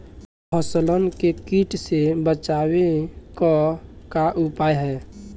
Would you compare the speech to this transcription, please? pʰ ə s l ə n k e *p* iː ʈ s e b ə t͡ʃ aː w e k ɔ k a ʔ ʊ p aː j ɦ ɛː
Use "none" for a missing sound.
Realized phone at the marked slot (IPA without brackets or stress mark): k